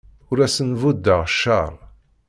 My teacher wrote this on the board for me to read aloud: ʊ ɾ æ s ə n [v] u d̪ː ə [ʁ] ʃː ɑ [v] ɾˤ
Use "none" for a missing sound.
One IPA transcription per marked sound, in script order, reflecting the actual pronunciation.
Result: v, ʁ, none

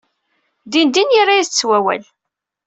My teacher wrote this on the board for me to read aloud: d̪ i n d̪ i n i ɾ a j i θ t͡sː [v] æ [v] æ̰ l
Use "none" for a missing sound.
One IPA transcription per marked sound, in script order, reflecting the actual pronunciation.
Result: w, w

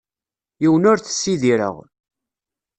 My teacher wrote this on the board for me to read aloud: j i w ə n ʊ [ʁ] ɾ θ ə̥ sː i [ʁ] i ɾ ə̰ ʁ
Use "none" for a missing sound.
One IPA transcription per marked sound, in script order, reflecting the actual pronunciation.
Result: none, ð

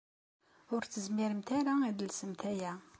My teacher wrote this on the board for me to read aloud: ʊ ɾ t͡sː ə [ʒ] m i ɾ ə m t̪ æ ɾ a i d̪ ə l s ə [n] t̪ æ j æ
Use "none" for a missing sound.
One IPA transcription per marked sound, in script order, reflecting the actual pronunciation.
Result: z, m

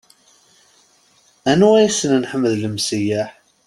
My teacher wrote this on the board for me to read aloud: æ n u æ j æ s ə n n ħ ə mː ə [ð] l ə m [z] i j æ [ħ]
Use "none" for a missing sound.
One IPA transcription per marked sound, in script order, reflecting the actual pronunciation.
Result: ð, s, ħ

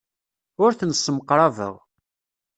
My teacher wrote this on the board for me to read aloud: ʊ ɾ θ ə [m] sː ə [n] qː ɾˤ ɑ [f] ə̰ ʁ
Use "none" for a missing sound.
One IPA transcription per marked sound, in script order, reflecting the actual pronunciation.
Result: n, m, v

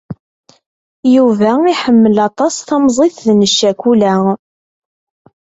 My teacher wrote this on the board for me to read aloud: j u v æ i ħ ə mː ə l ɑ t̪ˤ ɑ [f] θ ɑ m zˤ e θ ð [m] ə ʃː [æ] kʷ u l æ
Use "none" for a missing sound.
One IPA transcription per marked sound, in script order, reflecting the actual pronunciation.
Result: s, n, æ

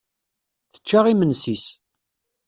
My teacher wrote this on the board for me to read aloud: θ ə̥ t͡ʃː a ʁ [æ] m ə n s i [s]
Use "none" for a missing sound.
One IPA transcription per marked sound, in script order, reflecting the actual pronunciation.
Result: i, s

